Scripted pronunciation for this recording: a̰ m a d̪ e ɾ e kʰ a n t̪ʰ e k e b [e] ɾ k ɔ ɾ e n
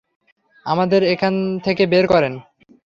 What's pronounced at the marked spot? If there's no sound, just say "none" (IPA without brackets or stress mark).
e